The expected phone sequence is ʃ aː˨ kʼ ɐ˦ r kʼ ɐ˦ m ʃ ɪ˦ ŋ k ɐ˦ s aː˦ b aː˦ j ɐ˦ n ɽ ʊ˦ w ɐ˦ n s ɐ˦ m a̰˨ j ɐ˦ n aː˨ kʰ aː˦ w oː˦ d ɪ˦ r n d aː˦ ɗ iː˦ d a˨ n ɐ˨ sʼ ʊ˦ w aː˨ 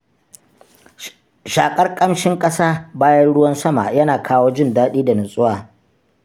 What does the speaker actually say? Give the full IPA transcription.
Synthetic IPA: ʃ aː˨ kʼ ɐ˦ r kʼ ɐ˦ m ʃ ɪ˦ ŋ kʼ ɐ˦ s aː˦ b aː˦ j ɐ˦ n ɽ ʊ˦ w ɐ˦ n s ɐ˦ m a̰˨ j ɐ˦ n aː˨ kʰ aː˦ w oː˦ d͡ʒ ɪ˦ n d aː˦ ɗ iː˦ d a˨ n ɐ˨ sʼ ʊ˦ w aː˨